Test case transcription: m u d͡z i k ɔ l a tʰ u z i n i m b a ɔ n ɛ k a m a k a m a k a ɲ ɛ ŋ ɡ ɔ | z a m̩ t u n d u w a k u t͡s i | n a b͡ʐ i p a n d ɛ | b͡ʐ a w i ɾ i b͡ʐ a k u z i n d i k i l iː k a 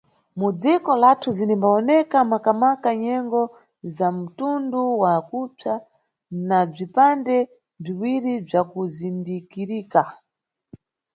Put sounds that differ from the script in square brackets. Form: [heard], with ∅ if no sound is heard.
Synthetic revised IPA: m u d͡z i k ɔ l a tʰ u z i n i m b a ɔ n ɛ k a m a k a m a k a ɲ ɛ ŋ ɡ ɔ | z a m̩ t u n d u w a k u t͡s [a] | n a b͡ʐ i p a n d ɛ | b͡ʐ [i] w i ɾ i b͡ʐ a k u z i n d i k i [ɾ] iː k a